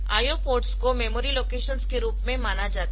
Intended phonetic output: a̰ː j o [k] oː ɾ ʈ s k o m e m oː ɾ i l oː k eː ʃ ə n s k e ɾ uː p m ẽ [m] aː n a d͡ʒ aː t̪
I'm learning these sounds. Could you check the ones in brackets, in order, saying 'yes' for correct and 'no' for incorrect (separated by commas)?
no, yes